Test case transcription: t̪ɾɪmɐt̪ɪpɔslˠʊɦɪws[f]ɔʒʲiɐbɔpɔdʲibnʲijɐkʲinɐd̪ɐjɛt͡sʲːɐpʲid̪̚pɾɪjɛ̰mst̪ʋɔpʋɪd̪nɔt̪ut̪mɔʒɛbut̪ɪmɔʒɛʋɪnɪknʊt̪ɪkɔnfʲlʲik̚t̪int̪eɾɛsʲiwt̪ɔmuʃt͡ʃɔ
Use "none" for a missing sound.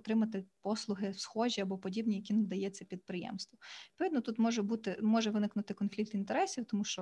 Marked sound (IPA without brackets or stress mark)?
x